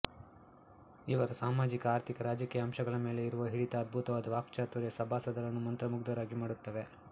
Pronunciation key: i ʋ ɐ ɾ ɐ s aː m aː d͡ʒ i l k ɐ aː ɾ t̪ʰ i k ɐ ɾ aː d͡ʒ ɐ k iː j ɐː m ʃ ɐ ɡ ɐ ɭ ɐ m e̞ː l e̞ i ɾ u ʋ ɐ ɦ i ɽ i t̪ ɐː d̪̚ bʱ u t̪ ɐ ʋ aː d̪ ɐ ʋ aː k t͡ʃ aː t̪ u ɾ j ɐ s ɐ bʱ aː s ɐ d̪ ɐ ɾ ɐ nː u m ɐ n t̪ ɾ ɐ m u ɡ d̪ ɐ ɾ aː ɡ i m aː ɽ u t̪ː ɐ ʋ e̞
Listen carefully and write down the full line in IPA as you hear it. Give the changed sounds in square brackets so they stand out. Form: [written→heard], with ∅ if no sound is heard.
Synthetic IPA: i ʋ ɐ ɾ ɐ s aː m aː d͡ʒ i [l→∅] k ɐ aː ɾ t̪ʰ i k ɐ ɾ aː d͡ʒ ɐ k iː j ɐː m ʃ ɐ ɡ ɐ ɭ ɐ m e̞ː l e̞ i ɾ u ʋ ɐ ɦ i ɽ i t̪ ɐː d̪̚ bʱ u t̪ ɐ ʋ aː d̪ ɐ ʋ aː k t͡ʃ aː t̪ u ɾ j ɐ s ɐ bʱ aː s ɐ d̪ ɐ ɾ ɐ nː u m ɐ n t̪ ɾ ɐ m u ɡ d̪ ɐ ɾ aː ɡ i m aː ɽ u t̪ː ɐ ʋ e̞